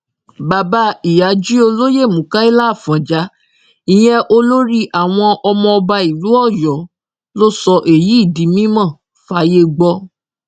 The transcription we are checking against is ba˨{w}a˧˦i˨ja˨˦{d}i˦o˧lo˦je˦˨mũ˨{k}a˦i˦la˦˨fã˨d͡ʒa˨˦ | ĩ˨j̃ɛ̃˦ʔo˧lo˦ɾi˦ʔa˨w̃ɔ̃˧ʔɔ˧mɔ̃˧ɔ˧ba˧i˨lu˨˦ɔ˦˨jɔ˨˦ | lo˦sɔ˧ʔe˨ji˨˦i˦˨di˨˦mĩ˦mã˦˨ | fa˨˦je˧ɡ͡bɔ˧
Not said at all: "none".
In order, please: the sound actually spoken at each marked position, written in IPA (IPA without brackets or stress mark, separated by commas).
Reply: b, d͡ʒ, k